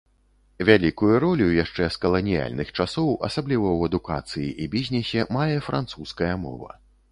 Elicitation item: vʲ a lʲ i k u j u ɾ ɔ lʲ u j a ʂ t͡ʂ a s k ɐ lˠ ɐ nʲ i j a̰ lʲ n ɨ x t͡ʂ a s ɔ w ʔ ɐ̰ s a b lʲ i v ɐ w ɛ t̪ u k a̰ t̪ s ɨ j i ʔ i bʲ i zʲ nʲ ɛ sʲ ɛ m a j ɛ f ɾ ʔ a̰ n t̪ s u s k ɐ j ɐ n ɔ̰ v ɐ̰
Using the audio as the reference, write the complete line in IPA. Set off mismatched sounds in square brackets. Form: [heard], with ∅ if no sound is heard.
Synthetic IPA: vʲ a lʲ i k u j u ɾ ɔ lʲ u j a ʂ t͡ʂ [ɛ] s k ɐ lˠ ɐ nʲ i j a̰ lʲ n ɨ x t͡ʂ a s ɔ w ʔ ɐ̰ s a b lʲ i v ɐ w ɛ [d̪] u k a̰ t̪ s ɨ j i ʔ i bʲ i zʲ nʲ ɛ sʲ ɛ m a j ɛ f ɾ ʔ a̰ n t̪ s u s k ɐ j ɐ [m] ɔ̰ v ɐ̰